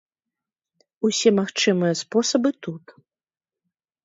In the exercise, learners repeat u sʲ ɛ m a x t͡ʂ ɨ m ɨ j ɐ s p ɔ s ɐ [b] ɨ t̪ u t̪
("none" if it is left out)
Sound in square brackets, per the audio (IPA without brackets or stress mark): b